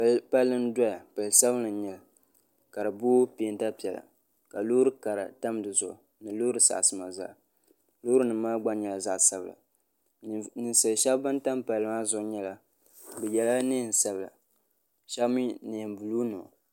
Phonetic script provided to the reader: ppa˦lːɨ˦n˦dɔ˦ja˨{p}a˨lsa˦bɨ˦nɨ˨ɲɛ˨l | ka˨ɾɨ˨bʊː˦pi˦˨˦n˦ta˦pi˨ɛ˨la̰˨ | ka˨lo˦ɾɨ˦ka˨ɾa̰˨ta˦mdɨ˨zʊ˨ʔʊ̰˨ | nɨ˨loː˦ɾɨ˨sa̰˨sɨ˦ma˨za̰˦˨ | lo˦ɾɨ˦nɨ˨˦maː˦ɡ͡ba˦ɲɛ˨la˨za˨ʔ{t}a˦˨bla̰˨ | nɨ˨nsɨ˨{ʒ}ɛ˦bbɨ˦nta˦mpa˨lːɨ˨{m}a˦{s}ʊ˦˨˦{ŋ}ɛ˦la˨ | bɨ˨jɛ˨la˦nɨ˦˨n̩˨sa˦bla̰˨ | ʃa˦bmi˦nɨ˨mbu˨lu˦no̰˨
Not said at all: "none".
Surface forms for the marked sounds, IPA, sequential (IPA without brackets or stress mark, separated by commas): p, s, ʃ, m, z, ɲ